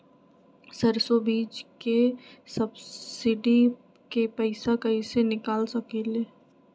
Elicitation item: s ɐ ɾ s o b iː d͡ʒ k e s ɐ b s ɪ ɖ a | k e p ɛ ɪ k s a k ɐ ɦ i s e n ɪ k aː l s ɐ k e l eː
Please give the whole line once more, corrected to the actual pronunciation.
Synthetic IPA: s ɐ ɾ s o b iː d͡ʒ k e s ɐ b s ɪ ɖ i | k e p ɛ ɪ s a k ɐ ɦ i s e n ɪ k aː l s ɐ k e l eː

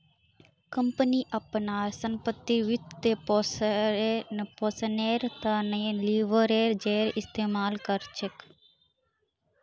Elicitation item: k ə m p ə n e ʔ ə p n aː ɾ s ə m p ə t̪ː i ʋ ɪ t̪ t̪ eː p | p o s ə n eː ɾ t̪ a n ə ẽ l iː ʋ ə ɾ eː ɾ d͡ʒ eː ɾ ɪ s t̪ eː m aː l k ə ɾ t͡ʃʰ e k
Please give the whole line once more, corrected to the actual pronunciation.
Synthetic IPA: k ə m p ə n i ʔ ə p n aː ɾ s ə m p ə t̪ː i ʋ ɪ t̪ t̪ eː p | p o s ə n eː ɾ t̪ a n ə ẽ l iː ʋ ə ɾ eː ɾ d͡ʒ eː ɾ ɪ s t̪ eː m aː l k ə ɾ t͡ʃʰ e k

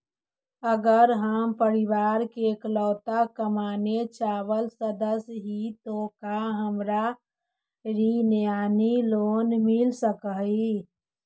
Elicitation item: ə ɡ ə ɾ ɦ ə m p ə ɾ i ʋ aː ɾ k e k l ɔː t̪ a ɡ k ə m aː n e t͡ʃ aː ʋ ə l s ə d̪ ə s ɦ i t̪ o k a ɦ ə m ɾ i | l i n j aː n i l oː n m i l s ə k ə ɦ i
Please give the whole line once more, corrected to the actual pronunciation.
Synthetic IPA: ə ɡ ə ɾ ɦ ə m p ə ɾ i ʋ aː ɾ k e k l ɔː t̪ a k ə m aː n e t͡ʃ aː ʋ ə l s ə d̪ ə s ɦ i t̪ o k a ɦ ə m ɾ a | ɾ i n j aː n i l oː n m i l s ə k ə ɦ i

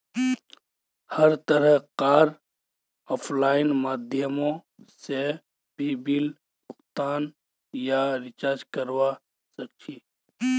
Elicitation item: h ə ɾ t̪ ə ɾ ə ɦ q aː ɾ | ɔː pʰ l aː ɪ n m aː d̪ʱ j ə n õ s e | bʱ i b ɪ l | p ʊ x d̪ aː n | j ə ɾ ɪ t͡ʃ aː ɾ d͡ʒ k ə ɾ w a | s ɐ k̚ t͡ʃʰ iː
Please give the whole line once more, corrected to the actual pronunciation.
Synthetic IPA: h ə ɾ t̪ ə ɾ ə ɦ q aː ɾ | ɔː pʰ l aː ɪ n m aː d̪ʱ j ə m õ s e | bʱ i b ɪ l | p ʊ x t̪ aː n | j a ɾ ɪ t͡ʃ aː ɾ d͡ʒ k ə ɾ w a | s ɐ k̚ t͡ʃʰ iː

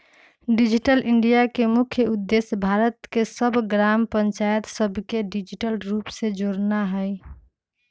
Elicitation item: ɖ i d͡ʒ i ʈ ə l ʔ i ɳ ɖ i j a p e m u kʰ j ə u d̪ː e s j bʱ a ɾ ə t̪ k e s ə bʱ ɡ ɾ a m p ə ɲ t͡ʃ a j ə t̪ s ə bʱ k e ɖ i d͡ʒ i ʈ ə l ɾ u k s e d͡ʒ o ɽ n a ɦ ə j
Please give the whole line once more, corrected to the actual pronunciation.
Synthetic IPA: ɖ i d͡ʒ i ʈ ə l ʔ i ɳ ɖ i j a k e m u kʰ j ə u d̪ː e s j bʱ a ɾ ə t̪ k e s ə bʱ ɡ ɾ a m p ə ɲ t͡ʃ a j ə t̪ s ə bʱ k e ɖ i d͡ʒ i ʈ ə l ɾ u p s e d͡ʒ o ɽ n a ɦ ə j

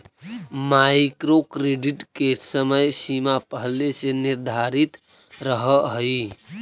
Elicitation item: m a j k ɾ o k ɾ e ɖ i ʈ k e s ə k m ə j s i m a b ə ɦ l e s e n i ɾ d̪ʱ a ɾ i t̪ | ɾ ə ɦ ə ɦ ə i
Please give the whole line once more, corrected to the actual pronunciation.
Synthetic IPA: m a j k ɾ o k ɾ e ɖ i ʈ k e s ə m ə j s i m a p ə ɦ l e s e n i ɾ d̪ʱ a ɾ i t̪ | ɾ ə ɦ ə ɦ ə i

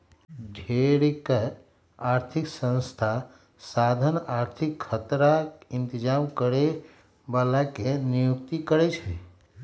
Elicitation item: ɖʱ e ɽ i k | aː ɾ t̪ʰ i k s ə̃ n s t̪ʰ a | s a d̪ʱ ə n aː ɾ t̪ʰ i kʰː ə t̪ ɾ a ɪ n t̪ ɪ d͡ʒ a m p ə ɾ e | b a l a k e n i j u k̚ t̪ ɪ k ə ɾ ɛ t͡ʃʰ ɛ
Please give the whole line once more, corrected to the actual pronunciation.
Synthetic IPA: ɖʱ e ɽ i k | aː ɾ t̪ʰ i k s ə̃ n s t̪ʰ a | s a d̪ʱ ə n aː ɾ t̪ʰ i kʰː ə t̪ ɾ a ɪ n t̪ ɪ d͡ʒ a m k ə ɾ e | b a l a k e n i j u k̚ t̪ i k ə ɾ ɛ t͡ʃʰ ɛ

